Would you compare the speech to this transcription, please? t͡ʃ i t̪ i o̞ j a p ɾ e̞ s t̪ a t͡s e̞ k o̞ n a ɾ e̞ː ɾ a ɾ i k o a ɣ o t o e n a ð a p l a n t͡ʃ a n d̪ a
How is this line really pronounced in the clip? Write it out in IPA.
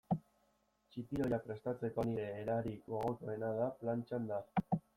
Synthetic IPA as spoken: t͡ʃ i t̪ i o̞ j a p ɾ e̞ s t̪ a t͡s e̞ k o̞ n i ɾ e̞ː ɾ a ɾ i k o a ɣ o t o e n a ð a p l a n t͡ʃ a n d̪ a

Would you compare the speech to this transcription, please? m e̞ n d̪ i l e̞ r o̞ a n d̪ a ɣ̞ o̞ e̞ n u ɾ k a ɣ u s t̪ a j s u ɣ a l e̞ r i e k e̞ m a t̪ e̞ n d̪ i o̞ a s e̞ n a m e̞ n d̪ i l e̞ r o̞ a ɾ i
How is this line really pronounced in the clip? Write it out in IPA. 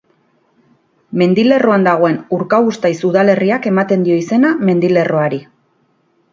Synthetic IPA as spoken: m e̞ n d̪ i l e̞ r o̞ a n d̪ a ɣ̞ o̞ e̞ n u ɾ k a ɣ u s t̪ a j s u ð a l e̞ r i a k e̞ m a t̪ e̞ n d̪ i o̞ i s e̞ n a m e̞ n d̪ i l e̞ r o̞ a ɾ i

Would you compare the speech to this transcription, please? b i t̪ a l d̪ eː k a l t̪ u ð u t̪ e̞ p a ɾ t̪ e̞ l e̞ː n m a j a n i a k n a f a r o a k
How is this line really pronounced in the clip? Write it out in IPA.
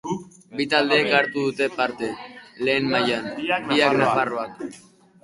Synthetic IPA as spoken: b i t̪ a l d̪ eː k a ɾ t̪ u ð u t̪ e̞ p a ɾ t̪ e̞ l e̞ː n m a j a n i a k n a f a r o a k

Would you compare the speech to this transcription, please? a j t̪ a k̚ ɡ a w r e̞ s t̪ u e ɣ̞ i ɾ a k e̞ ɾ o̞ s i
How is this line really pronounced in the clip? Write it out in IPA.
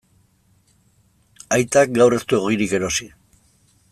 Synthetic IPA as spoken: a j t̪ a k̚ ɡ a w r e̞ s t̪ u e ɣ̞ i ɾ i k e̞ ɾ o̞ s i

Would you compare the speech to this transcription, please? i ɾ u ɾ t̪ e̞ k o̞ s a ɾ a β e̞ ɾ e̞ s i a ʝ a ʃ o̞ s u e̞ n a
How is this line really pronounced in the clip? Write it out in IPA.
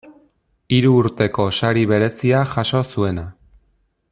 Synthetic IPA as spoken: i ɾ uː ɾ t̪ e̞ k o̞ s a ɾ i β e̞ ɾ e̞ s i a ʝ a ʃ o̞ s u e̞ n a

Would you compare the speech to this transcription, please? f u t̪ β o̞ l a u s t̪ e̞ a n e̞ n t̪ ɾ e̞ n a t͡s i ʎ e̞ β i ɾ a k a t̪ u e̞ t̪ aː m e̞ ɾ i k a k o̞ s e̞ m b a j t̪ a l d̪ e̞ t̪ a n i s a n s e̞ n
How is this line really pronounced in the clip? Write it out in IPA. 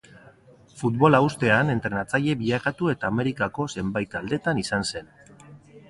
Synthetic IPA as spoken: f u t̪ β o̞ l a u s t̪ e̞ a n e̞ n t̪ ɾ e̞ n a t͡s a ʎ e̞ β i ʎ a k a t̪ u e̞ t̪ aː m e̞ ɾ i k a k o̞ s e̞ m b a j t̪ a l d̪ e̞ t̪ a n i s a n s e̞ n

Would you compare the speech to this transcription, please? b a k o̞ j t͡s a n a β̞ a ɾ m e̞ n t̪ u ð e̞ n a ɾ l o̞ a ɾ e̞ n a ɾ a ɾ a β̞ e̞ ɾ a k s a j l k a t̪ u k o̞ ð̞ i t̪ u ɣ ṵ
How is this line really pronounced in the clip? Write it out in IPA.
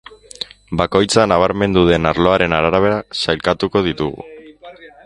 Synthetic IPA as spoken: b a k o̞ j t͡s a n a β̞ a ɾ m e̞ n d̪ u ð e̞ n a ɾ l o̞ a ɾ e̞ n a ɾ a ɾ a β̞ e̞ ɾ a s a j l k a t̪ u k o̞ ð̞ i t̪ u ɣ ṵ

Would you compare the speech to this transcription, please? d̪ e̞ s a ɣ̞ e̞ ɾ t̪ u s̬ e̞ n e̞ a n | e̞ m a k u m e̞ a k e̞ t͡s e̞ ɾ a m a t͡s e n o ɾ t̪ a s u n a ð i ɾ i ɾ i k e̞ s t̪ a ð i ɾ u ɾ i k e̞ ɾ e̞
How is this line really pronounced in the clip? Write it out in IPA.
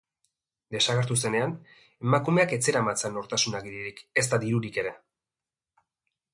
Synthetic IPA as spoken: d̪ e̞ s a ɣ̞ e̞ ɾ t̪ u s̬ e̞ n e̞ a n | e̞ m a k u m e̞ a k e̞ t͡s e̞ ɾ a m a t͡s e n o ɾ t̪ a s u n a ɣ i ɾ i ɾ i k e̞ s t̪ a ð i ɾ u ɾ i k e̞ ɾ e̞

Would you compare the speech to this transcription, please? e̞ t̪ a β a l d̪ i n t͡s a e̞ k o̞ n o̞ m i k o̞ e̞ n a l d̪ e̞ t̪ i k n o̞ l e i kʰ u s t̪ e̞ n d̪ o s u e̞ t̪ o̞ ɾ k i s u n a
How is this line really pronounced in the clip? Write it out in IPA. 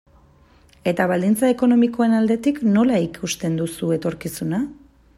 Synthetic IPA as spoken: e̞ t̪ a β a l d̪ i n t͡s a e̞ k o̞ n o̞ m i k o̞ e̞ n a l d̪ e̞ t̪ i k n o̞ l a i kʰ u s t̪ e̞ n d̪ u s u e̞ t̪ o̞ ɾ k i s u n a

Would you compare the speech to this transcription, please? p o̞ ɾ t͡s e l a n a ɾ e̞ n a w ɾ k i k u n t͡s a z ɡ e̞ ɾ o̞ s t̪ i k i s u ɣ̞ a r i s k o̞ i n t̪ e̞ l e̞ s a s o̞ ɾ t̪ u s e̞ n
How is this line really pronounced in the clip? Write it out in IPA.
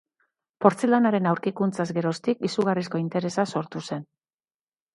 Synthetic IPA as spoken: p o̞ ɾ t͡s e l a n a ɾ e̞ n a w ɾ k i k u n t͡s a z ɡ e̞ ɾ o̞ s t̪ i k i s u ɣ̞ a r i s k o̞ i n t̪ e̞ ɾ e̞ s a s o̞ ɾ t̪ u s e̞ n

